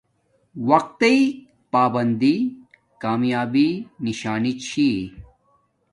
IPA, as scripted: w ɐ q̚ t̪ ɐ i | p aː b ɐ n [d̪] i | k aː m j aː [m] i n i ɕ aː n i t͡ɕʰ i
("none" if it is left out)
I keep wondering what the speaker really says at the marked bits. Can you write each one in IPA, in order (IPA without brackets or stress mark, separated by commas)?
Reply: d̪, b